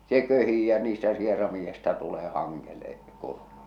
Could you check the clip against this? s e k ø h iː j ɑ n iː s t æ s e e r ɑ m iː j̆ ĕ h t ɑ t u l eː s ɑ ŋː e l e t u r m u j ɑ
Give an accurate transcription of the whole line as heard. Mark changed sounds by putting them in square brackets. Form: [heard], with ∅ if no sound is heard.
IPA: s e k ø h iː j ɑ n iː s t æ s [i] e r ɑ m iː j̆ ĕ [s] t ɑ t u l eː [h] ɑ ŋː e l e [k] u r m u j ɑ